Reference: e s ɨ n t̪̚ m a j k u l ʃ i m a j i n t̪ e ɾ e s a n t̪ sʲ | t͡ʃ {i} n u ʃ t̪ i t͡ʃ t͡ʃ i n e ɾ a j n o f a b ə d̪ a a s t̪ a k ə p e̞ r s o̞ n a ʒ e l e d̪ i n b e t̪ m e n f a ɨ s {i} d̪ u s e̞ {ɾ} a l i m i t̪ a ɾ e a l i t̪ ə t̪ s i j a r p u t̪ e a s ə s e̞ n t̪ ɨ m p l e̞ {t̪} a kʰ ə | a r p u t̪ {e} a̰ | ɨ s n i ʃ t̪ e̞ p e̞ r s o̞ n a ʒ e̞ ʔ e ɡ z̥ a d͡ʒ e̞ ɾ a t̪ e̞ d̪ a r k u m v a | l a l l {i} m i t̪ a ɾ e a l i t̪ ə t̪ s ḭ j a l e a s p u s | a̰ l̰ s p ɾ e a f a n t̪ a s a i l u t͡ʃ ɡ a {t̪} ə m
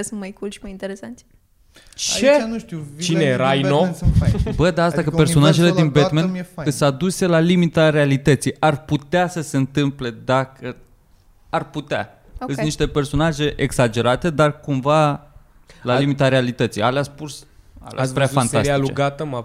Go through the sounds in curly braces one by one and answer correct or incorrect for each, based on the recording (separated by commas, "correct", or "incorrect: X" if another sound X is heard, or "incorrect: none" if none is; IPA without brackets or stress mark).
incorrect: e, incorrect: a, incorrect: l, incorrect: d̪, correct, correct, correct